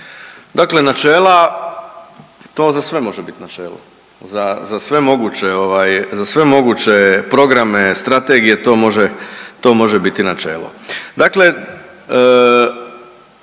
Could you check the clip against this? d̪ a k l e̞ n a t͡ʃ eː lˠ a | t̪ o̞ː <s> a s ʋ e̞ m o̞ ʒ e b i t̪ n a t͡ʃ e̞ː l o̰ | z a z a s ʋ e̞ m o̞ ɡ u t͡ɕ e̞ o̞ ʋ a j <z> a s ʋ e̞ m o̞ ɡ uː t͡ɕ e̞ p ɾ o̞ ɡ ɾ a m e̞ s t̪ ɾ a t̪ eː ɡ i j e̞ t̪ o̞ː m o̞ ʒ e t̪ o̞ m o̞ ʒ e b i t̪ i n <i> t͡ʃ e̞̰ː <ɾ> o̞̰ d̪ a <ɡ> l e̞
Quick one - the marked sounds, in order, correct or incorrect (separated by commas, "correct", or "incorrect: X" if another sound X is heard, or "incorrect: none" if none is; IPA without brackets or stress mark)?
incorrect: z, correct, incorrect: a, incorrect: l, incorrect: k